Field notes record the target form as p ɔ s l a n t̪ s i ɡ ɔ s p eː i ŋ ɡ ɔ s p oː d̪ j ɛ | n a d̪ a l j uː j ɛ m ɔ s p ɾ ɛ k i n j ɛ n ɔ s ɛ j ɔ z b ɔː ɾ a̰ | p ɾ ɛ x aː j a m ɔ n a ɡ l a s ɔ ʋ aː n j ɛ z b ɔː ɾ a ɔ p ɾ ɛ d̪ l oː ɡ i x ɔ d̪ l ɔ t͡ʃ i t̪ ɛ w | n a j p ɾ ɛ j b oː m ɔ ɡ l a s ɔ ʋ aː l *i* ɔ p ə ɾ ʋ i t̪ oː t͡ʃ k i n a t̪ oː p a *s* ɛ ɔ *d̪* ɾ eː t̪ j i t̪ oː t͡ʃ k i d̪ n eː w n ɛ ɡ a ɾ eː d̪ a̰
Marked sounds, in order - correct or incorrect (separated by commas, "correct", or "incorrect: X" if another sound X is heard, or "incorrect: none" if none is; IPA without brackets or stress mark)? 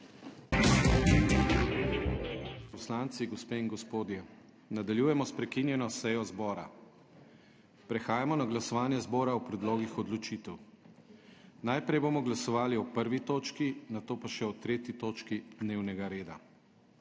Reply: correct, incorrect: ʃ, incorrect: t̪